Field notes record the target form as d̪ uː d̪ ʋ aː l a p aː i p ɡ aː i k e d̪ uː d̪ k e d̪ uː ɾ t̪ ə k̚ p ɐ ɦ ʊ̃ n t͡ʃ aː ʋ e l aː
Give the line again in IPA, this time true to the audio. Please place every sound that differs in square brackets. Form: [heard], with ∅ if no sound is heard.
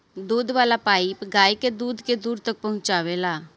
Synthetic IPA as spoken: d̪ uː d̪ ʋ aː l a p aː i p ɡ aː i k e d̪ uː d̪ k e d̪ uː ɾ t̪ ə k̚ p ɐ ɦ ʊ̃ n t͡ʃ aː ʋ e l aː